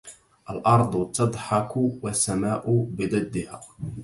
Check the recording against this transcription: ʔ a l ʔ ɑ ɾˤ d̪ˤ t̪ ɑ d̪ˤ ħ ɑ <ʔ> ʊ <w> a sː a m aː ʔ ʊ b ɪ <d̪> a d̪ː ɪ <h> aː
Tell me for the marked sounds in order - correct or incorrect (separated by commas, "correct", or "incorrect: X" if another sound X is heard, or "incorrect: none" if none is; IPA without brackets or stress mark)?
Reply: incorrect: k, correct, correct, correct